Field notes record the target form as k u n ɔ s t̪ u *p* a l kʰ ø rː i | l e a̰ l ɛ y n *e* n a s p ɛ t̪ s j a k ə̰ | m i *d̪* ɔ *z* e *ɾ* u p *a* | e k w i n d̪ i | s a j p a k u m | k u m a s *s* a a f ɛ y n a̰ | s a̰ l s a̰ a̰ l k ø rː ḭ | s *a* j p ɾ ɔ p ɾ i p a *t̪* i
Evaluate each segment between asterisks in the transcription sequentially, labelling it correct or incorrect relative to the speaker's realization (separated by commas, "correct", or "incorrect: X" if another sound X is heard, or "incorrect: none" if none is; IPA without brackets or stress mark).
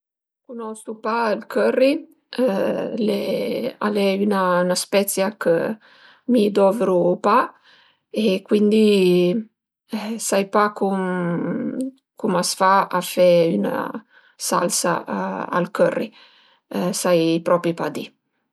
correct, incorrect: a, correct, incorrect: v, correct, correct, incorrect: f, correct, incorrect: d̪